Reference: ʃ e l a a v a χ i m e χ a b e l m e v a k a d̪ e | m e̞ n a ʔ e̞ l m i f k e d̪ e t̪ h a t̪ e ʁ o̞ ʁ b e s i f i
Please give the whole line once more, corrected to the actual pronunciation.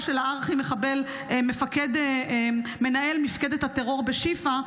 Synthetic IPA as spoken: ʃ e l a a ʁ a χ i m e χ a b e l m e f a k e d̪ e | m e̞ n a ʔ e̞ l m i f k e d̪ e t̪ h a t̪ e ʁ o̞ ʁ b e ʃ i f a